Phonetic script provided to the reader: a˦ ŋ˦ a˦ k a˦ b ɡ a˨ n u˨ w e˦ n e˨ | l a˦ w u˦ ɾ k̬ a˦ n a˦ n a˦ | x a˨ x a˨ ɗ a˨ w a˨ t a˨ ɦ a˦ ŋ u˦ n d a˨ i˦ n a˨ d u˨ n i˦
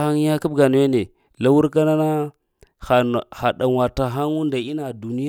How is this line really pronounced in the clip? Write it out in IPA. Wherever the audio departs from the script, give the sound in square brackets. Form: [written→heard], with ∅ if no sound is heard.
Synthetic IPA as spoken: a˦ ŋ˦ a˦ k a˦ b ɡ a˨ n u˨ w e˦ n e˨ | l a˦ w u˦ ɾ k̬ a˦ n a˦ n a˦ | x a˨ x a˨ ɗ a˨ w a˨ t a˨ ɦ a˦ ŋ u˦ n d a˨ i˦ n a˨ d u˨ n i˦